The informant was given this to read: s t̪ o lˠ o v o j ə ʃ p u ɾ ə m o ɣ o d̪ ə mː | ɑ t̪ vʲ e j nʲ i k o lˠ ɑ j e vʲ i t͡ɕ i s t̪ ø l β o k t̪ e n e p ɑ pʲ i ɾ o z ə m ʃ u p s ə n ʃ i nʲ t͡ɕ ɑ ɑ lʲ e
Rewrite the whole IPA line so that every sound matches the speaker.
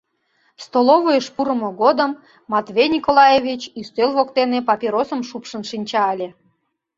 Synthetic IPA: s t̪ o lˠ o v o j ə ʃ p u ɾ ə m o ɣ o d̪ ə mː | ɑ t̪ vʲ e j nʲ i k o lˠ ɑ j e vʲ i t͡ɕ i s t̪ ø l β o k t̪ e n e p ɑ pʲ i ɾ o s ə m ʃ u p ʃ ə n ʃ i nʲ t͡ɕ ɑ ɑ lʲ e